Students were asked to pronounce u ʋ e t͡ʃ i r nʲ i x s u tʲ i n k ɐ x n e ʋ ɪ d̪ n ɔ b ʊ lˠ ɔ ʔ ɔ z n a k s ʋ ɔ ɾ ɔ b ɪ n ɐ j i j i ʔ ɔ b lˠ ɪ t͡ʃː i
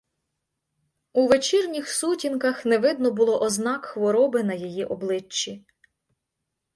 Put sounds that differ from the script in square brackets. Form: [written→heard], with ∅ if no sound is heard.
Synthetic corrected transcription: u ʋ e t͡ʃ i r nʲ i x s u tʲ i n k ɐ x n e ʋ ɪ d̪ n ɔ b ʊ lˠ ɔ ʔ ɔ z n [a→ɑ] k [s→x] ʋ ɔ ɾ ɔ b ɪ n ɐ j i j i ʔ ɔ b lˠ ɪ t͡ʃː i